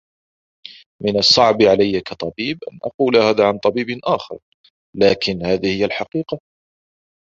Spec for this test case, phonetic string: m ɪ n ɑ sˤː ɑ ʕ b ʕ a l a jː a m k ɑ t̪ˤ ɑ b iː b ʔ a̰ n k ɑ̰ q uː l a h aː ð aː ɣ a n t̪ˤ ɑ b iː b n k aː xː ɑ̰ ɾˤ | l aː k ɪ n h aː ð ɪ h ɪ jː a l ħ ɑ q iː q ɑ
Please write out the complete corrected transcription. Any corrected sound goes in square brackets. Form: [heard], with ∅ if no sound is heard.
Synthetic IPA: m ɪ n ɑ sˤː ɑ ʕ b ʕ a l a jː a [∅] k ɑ t̪ˤ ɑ b iː b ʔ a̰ n [ʔ] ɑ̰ q uː l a h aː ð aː [ʕ] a n t̪ˤ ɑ b iː b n [ʔ] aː [x] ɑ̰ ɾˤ | l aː k ɪ n h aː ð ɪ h ɪ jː a l ħ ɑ q iː q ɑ